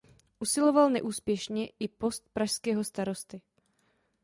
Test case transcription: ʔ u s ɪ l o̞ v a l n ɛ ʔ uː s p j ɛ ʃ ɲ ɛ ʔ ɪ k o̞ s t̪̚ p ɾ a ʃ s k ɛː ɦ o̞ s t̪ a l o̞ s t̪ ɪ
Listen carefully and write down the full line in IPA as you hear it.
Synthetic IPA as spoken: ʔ u s ɪ l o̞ v a l n ɛ ʔ uː s p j ɛ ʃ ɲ ɛ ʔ ɪ p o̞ s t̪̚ p ɾ a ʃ s k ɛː ɦ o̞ s t̪ a ɾ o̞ s t̪ ɪ

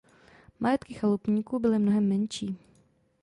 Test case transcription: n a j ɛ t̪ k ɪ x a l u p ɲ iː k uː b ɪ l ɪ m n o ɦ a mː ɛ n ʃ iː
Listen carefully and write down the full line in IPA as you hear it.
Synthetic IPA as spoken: m a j ɛ t̪ k ɪ x a l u p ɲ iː k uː b ɪ l ɪ m n o ɦ ɛ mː ɛ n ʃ iː

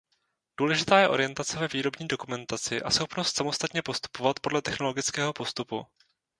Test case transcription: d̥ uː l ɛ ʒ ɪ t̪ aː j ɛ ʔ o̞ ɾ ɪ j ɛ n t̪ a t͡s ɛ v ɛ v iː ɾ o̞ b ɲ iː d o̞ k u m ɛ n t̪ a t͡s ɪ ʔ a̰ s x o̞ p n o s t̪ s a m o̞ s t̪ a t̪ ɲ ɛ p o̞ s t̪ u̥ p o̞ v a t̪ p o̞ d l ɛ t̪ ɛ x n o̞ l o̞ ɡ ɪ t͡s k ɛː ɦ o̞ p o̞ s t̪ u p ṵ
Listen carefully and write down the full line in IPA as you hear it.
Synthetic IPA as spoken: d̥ uː l ɛ ʒ ɪ t̪ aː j ɛ ʔ o̞ ɾ ɪ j ɛ n t̪ a t͡s ɛ v ɛ v iː ɾ o̞ b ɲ iː d o̞ k u m ɛ n t̪ a t͡s ɪ ʔ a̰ s x o̞ p n o s t̪ s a m o̞ s t̪ a t̪ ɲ ɛ p o̞ s t̪ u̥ p o̞ v a t̪ p o̞ d l ɛ t̪ ɛ x n o̞ l o̞ ɡ ɪ t͡s k ɛː ɦ o̞ p o̞ s t̪ u p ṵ

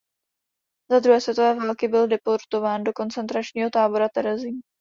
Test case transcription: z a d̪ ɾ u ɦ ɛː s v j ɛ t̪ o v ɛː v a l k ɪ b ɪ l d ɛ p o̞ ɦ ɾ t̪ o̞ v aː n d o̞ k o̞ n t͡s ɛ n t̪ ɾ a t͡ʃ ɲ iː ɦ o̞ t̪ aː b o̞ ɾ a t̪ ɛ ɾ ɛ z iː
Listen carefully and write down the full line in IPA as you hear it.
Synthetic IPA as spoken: z a d̪ ɾ u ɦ ɛː s v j ɛ t̪ o v ɛː v a l k ɪ b ɪ l d ɛ p o̞ ɾ t̪ o̞ v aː n d o̞ k o̞ n t͡s ɛ n t̪ ɾ a t͡ʃ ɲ iː ɦ o̞ t̪ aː b o̞ ɾ a t̪ ɛ ɾ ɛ z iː

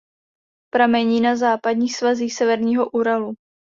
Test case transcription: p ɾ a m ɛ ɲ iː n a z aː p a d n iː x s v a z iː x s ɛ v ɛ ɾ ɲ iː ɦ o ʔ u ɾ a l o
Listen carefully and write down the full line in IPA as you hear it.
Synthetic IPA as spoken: p ɾ a m ɛ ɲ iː n a z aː p a d ɲ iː x s v a z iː x s ɛ v ɛ ɾ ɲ iː ɦ o ʔ u ɾ a l u

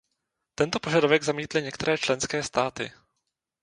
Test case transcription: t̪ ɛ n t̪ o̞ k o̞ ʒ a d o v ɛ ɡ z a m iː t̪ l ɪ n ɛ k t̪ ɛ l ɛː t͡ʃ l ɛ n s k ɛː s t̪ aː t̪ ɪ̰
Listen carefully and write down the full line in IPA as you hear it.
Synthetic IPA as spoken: t̪ ɛ n t̪ o̞ p o̞ ʒ a d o v ɛ ɡ z a m iː t̪ l ɪ ɲ ɛ k t̪ ɛ ɾ ɛː t͡ʃ l ɛ n s k ɛː s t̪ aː t̪ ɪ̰

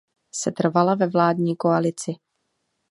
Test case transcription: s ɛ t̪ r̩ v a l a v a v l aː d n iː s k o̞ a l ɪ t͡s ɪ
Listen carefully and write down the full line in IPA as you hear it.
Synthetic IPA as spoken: s ɛ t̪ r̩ v a l a v ɛ v l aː d ɲ iː k o̞ a l ɪ t͡s ɪ

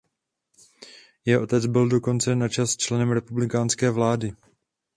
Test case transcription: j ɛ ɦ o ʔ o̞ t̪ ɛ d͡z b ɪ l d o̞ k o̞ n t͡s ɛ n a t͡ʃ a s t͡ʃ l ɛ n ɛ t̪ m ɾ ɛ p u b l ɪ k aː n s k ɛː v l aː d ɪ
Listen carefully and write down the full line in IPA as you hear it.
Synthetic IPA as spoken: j ɛ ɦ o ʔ o̞ t̪ ɛ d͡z b ɪ l d o̞ k o̞ n t͡s ɛ n a t͡ʃ a s t͡ʃ l ɛ n ɛ m ɾ ɛ p u b l ɪ k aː n s k ɛː v l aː d ɪ

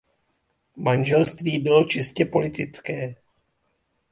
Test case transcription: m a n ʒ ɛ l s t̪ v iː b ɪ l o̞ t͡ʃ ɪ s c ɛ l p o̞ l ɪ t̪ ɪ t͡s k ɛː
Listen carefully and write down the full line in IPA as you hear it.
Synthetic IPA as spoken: m a n ʒ ɛ l s t̪ v iː b ɪ l o̞ t͡ʃ ɪ s c ɛ p o̞ l ɪ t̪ ɪ t͡s k ɛː

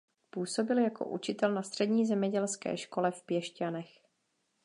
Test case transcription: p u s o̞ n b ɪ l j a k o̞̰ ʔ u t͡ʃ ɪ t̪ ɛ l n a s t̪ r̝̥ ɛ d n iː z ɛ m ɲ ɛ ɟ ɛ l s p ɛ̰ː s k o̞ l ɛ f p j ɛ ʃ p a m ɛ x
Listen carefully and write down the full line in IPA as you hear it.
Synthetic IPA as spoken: p uː s o̞ b ɪ l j a k o̞̰ ʔ u t͡ʃ ɪ t̪ ɛ l n a s t̪ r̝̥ ɛ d ɲ iː z ɛ m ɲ ɛ ɟ ɛ l s k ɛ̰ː ʃ k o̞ l ɛ f p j ɛ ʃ c a n ɛ x

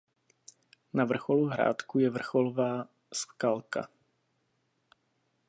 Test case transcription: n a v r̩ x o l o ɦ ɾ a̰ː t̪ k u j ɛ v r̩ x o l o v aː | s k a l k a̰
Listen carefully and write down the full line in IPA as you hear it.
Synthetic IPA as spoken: n a v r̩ x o l u ɦ ɾ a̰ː t̪ k u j ɛ v r̩ x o l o v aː | s k a l k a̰

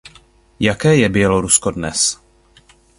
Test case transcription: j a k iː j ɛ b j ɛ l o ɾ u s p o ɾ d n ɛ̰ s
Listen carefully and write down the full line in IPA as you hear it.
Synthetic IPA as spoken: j a k ɛː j ɛ b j ɛ l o ɾ u s k o d n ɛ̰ s

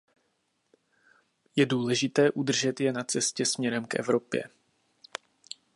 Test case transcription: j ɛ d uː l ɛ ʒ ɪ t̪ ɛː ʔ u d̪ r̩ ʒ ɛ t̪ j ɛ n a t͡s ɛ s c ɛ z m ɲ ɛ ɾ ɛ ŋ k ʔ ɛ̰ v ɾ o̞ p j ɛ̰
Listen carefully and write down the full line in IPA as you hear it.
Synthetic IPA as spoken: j ɛ d uː l ɛ ʒ ɪ t̪ ɛː ʔ u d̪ r̩ ʒ ɛ t̪ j ɛ n a t͡s ɛ s c ɛ s m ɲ ɛ ɾ ɛ m k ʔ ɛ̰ v ɾ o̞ p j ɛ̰

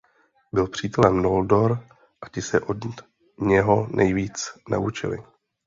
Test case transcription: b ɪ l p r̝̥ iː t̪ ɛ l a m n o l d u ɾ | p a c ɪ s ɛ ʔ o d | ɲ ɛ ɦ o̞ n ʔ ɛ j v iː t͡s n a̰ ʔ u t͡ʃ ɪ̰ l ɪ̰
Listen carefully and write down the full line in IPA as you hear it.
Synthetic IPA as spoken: b ɪ l p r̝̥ iː t̪ ɛ l ɛ m n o l d o ɾ | ʔ a c ɪ s ɛ ʔ o d | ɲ ɛ ɦ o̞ n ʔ ɛ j v iː t͡s n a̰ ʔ u t͡ʃ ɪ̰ l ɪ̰

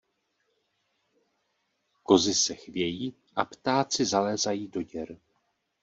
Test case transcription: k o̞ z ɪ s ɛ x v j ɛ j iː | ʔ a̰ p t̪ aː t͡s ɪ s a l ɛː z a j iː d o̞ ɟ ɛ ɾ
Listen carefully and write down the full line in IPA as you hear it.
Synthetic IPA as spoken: k o̞ z ɪ s ɛ x v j ɛ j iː | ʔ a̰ p t̪ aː t͡s ɪ z a l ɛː z a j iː d o̞ ɟ ɛ ɾ

